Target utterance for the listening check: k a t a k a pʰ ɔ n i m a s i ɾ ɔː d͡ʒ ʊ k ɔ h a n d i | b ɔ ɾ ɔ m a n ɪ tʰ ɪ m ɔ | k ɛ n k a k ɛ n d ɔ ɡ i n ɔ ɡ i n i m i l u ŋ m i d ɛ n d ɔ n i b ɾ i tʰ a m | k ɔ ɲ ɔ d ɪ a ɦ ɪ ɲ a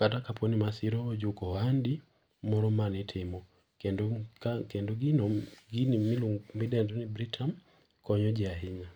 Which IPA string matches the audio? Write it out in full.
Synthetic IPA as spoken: k a t a k a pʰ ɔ n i m a s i ɾ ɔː d͡ʒ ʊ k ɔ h a n d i | m ɔ ɾ ɔ m a n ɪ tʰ ɪ m ɔ | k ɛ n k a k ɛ n d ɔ ɡ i n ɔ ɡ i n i m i l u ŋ m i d ɛ n d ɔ n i b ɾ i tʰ a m | k ɔ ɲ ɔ d͡ʒ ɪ a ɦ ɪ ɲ a